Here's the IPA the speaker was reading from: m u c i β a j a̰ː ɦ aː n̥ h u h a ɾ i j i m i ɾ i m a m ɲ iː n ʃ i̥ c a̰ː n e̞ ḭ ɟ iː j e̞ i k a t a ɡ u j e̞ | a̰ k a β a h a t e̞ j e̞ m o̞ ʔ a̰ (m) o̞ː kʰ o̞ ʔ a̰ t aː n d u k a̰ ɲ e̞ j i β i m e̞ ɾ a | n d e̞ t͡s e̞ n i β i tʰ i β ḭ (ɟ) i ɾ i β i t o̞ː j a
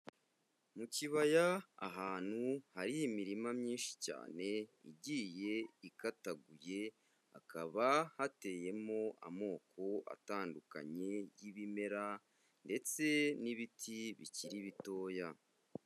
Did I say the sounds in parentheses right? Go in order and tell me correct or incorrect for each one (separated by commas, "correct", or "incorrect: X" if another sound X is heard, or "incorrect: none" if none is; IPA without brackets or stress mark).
correct, incorrect: c